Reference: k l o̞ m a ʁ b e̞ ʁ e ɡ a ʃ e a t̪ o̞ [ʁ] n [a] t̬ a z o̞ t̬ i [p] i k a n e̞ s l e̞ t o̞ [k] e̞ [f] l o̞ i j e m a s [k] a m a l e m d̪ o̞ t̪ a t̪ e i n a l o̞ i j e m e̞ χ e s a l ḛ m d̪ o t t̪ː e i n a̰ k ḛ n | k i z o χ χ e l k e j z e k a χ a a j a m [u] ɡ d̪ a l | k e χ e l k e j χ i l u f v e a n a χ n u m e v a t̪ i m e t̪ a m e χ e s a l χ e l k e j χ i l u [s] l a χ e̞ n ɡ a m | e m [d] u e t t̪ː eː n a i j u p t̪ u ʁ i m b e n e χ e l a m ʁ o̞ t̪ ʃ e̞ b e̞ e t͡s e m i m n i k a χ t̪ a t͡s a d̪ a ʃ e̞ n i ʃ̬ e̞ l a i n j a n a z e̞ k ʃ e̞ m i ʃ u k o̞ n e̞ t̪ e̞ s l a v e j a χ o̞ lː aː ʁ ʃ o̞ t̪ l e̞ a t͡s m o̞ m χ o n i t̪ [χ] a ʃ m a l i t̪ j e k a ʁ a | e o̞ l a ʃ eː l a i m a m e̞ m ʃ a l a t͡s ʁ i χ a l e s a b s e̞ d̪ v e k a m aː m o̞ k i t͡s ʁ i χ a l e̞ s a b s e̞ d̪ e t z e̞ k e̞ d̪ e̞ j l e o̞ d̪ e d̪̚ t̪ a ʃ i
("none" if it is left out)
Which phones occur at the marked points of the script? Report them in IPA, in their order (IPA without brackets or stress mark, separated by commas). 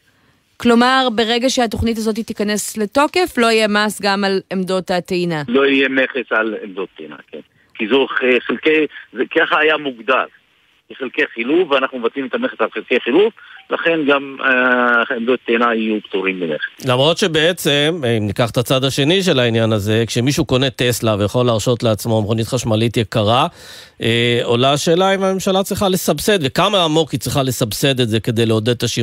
χ, i, t, k, f, ɡ, u, f, d, χ